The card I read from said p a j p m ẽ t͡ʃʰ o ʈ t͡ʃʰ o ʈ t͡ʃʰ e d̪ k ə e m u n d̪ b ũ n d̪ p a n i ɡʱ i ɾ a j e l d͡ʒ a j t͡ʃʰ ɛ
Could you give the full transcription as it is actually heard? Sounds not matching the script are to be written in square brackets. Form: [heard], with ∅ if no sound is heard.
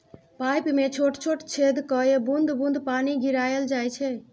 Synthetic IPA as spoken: p a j p m [e] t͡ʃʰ o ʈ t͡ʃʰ o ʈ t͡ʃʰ e d̪ k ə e [b] u n d̪ b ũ n d̪ p a n i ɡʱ i ɾ a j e l d͡ʒ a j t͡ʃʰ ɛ